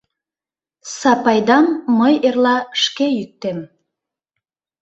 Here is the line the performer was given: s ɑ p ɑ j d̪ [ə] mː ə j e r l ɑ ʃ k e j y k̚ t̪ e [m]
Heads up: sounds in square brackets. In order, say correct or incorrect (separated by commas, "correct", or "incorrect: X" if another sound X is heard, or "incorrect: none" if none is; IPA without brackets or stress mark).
incorrect: ɑ, correct